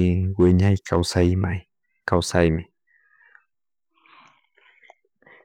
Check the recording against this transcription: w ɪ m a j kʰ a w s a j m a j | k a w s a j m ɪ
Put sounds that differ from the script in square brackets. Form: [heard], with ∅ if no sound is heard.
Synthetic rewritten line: w ɪ [ɲ] a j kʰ a w s a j m a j | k a w s a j m ɪ